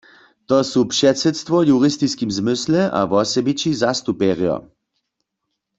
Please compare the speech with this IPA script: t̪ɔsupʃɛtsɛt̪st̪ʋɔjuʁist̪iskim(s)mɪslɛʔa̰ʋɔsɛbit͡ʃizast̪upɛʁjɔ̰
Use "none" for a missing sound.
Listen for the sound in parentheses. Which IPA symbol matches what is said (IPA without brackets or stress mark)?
z